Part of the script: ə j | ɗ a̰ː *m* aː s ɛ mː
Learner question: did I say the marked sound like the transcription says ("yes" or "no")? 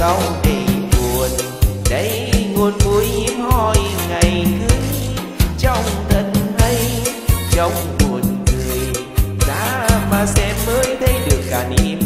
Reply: yes